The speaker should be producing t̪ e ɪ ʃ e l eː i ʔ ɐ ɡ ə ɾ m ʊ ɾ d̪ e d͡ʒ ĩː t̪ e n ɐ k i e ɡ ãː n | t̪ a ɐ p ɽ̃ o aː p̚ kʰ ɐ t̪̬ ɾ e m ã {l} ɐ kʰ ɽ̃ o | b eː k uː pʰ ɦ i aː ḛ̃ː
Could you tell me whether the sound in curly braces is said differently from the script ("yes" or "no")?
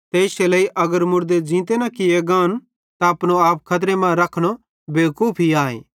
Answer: yes